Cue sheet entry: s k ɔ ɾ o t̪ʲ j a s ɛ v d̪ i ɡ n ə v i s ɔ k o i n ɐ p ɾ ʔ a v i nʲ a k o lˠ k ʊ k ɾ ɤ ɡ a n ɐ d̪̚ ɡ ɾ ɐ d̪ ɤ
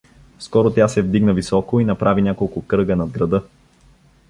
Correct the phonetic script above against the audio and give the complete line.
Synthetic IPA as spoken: s k ɔ ɾ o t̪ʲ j a s ɛ v d̪ i ɡ n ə v i s ɔ k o i n ɐ p ɾ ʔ a v i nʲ a k o lˠ k ʊ k ɾ ɤ ɡ ə n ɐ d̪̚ ɡ ɾ ɐ d̪ ɤ